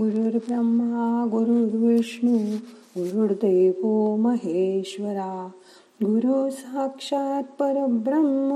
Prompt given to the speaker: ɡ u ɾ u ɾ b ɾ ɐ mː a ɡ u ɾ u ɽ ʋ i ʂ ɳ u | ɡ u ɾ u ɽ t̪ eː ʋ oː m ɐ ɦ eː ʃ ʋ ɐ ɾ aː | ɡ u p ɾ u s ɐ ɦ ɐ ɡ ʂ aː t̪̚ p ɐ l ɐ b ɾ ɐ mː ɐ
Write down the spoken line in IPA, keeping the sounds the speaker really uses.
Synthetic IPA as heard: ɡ u ɾ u ɾ b ɾ ɐ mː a ɡ u ɾ u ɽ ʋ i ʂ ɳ u | ɡ u ɾ u ɽ d̪ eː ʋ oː m ɐ ɦ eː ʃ ʋ ɐ ɾ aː | ɡ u ɾ u s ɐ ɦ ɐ k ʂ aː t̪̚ p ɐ ɾ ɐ b ɾ ɐ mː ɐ